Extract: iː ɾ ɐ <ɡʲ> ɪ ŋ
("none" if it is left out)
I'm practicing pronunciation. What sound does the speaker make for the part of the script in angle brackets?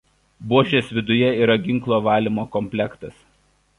ɡʲ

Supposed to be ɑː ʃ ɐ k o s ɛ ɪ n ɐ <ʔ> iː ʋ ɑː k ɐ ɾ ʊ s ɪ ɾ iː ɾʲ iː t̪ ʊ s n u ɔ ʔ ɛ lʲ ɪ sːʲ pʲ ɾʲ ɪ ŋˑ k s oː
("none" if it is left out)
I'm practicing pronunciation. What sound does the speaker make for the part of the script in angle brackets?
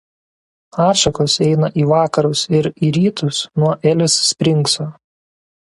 ʔ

